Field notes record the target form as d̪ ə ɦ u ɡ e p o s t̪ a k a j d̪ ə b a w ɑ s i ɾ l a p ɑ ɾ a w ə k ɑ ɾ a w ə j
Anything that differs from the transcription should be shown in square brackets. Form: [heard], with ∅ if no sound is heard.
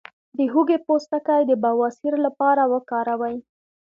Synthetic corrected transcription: d̪ ə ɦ u ɡ e p o s t̪ a k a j d̪ ə b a w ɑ s i ɾ l a p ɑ ɾ a w ə k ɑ ɾ a w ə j